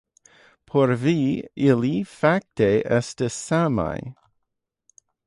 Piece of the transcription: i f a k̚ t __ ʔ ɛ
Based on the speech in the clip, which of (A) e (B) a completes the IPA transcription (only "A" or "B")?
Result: A